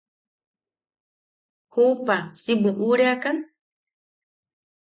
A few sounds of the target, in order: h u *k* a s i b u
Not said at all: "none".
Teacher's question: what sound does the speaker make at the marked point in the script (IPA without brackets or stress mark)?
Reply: p